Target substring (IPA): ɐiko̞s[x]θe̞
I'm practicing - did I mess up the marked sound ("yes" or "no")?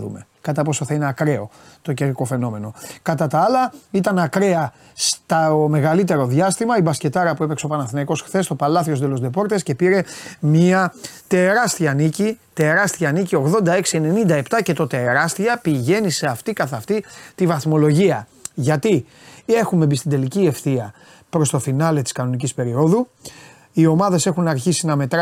no